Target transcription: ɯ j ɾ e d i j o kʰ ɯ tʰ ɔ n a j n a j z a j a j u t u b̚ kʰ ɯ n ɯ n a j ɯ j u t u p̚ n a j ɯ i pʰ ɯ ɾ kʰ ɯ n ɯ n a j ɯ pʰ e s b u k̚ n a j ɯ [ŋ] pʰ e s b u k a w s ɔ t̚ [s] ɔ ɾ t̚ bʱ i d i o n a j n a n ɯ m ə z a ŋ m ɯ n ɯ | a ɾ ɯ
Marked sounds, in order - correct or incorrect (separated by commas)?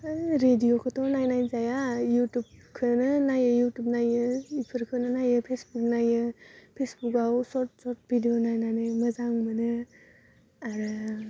incorrect, correct